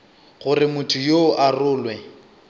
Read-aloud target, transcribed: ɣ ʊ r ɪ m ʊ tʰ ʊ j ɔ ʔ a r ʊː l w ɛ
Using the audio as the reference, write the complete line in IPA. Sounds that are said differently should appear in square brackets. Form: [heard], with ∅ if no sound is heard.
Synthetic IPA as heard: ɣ ʊ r ɪ m ʊ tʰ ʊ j [o] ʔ a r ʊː l w ɛ